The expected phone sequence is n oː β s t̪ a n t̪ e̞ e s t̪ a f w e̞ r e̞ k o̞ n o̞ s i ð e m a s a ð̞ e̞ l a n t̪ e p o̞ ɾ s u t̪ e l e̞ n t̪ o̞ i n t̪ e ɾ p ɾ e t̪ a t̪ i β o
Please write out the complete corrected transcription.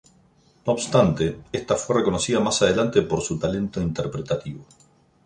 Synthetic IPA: n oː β s t̪ a n t̪ e̞ e s t̪ a f w e̞ r e̞ k o̞ n o̞ s i ð a m a s a ð̞ e̞ l a n t̪ e p o̞ ɾ s u t̪ a l e̞ n t̪ o̞ i n t̪ e ɾ p ɾ e t̪ a t̪ i β o